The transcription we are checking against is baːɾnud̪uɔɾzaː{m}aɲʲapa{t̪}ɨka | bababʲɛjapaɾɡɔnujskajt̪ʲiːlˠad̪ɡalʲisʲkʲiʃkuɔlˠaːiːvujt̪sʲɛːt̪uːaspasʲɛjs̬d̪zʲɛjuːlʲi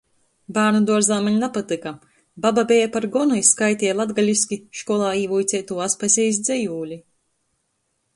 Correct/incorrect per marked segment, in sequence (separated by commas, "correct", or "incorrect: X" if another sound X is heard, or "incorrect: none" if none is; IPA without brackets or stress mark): correct, correct